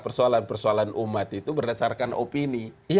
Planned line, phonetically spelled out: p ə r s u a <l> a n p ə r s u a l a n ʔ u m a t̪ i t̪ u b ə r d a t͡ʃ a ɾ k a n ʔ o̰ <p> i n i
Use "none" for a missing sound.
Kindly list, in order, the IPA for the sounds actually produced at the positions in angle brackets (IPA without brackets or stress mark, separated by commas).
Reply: l, p